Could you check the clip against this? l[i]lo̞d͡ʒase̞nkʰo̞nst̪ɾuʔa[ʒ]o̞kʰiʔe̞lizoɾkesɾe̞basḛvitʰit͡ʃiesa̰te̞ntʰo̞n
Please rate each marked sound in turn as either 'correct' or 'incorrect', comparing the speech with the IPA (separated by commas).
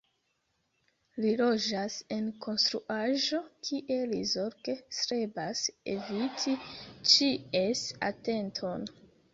correct, correct